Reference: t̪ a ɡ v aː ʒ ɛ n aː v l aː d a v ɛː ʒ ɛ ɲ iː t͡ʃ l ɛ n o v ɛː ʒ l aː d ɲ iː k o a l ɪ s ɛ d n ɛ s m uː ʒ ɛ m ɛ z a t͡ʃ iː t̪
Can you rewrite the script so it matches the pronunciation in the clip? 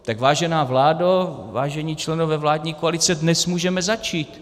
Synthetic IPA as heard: t̪ a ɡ v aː ʒ ɛ n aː v l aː d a v aː ʒ ɛ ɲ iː t͡ʃ l ɛ n o v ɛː v l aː d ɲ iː k o a l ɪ t͡s ɛ d n ɛ s m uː ʒ ɛ m ɛ z a t͡ʃ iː t̪